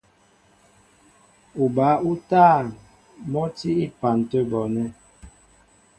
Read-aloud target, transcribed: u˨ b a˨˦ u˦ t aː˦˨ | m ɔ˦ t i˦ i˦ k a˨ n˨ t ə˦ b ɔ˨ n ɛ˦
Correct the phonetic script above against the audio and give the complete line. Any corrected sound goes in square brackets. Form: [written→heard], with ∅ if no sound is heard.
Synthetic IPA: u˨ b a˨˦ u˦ t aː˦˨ | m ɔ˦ t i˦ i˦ [k→p] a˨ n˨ t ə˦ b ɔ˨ n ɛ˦